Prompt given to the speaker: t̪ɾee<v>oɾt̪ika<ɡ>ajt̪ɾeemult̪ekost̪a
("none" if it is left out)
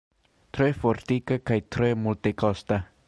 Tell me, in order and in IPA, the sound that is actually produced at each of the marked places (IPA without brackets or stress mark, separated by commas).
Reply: f, k